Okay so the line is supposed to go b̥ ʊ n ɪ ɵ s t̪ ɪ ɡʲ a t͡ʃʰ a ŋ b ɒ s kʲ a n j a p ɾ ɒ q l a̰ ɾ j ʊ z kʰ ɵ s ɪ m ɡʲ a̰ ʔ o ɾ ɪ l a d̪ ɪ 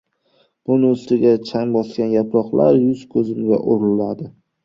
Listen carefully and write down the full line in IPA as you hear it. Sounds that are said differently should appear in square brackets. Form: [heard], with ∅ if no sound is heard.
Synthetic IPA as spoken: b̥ ʊ n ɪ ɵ s t̪ ɪ ɡʲ a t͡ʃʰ a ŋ b ɒ s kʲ a n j a p ɾ ɒ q l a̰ ɾ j ʊ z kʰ ɵ [z] ɪ m ɡʲ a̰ ʔ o ɾ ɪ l a d̪ ɪ